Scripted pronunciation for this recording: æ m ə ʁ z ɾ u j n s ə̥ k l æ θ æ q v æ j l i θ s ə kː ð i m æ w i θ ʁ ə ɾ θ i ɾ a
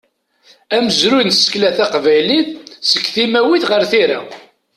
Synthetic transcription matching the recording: æ m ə z ɾ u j n s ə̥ k l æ θ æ q v æ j l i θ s ə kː θ i m æ w i θ ʁ ə ɾ θ i ɾ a

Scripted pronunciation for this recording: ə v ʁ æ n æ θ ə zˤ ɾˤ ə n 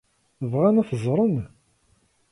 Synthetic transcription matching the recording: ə v ʁ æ n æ θ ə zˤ ɾˤ ə n

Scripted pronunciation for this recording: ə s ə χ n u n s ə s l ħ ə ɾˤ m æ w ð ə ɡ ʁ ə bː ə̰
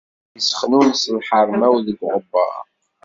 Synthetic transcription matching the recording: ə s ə χ n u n s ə l ħ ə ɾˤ m æ w ð ə ɡ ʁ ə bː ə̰

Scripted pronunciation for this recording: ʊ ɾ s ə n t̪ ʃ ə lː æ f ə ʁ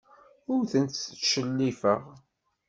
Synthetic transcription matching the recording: ʊ ɾ θ ə n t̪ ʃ ə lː i f ə ʁ

